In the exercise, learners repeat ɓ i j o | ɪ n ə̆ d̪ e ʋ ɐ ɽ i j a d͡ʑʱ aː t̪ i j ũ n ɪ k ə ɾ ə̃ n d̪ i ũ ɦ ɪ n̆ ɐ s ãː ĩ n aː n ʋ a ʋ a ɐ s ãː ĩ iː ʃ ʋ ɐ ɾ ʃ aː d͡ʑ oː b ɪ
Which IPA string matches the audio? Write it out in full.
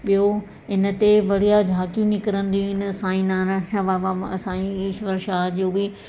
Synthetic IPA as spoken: ɓ i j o | ɪ n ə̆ t̪ e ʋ ɐ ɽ i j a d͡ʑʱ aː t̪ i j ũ n ɪ k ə ɾ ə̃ n d̪ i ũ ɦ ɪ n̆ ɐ s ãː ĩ n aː n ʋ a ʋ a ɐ s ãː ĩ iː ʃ ʋ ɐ ɾ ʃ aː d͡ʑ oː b ɪ